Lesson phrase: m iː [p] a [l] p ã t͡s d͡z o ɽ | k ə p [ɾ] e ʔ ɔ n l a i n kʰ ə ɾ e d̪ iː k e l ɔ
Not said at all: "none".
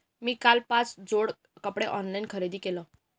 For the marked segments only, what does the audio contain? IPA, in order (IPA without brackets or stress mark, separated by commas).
k, l, ɽ